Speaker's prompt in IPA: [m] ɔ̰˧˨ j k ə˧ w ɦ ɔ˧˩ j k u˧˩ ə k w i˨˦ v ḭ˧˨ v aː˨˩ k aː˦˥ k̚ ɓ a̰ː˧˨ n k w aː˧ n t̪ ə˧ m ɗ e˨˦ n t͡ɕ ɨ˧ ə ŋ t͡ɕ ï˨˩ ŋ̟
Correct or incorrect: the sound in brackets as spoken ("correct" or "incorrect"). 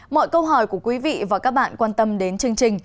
correct